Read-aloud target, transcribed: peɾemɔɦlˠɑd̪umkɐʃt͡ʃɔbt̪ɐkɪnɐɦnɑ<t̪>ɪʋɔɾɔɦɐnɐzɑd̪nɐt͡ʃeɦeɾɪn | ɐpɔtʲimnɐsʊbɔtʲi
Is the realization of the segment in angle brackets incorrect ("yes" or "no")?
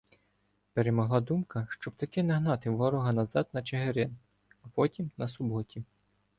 no